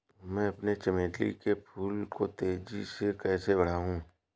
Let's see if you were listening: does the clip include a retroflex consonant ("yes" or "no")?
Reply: yes